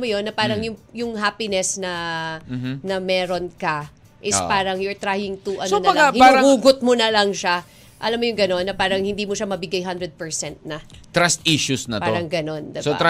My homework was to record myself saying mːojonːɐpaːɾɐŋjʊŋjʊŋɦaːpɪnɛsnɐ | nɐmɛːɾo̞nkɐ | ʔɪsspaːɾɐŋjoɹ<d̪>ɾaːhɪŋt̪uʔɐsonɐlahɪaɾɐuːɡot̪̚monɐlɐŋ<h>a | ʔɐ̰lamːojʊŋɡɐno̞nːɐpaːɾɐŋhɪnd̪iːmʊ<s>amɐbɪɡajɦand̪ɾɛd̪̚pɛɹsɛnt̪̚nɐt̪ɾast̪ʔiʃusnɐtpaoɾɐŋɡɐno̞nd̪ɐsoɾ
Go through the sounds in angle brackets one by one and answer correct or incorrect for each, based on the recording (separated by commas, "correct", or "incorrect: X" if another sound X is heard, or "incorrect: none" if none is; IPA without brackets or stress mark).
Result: incorrect: t̪, incorrect: ʃ, incorrect: ʃ